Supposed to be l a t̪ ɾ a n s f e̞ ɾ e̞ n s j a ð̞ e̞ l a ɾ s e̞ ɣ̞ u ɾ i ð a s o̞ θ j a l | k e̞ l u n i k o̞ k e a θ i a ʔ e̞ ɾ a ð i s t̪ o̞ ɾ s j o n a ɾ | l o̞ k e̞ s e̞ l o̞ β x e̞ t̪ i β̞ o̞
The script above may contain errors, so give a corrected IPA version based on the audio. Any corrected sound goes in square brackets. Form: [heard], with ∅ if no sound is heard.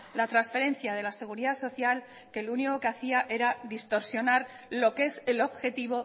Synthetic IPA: l a t̪ ɾ a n s f e̞ ɾ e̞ n [θ] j a ð̞ e̞ l a [∅] s e̞ ɣ̞ u ɾ i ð a s o̞ θ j a l | k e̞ l u n i k o̞ k e a θ i a ʔ e̞ ɾ a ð i s t̪ o̞ ɾ s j o n a ɾ | l o̞ k e̞ s e̞ l o̞ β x e̞ t̪ i β̞ o̞